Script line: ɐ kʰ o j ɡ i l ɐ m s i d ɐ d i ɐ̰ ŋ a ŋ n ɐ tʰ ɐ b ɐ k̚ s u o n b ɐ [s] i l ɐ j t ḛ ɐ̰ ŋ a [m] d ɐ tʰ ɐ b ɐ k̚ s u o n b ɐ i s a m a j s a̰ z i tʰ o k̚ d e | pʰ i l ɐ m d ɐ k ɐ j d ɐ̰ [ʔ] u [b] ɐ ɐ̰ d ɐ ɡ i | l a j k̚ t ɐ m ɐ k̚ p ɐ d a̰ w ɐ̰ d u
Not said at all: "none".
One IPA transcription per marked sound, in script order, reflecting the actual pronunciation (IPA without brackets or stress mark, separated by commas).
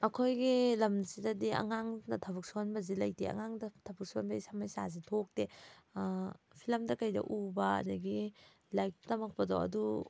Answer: z, ŋ, ʔ, b